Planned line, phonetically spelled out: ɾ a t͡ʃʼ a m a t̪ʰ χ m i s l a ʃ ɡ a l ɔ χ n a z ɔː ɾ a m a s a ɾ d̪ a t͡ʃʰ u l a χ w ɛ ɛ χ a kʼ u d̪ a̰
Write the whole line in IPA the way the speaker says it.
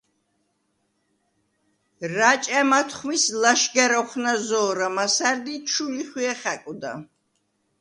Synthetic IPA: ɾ a t͡ʃʼ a m a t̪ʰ χ m i s l a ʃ ɡ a ɾ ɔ χ n a z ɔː ɾ a m a s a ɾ d̪ i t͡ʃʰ u l i χ w i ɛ χ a kʼ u d̪ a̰